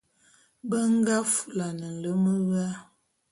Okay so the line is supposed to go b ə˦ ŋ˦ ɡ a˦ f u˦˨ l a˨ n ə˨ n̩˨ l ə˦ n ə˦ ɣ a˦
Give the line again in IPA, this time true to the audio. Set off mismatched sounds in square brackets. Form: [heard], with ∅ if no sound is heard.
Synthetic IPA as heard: b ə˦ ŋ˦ ɡ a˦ f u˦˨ l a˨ n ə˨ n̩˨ l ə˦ [m] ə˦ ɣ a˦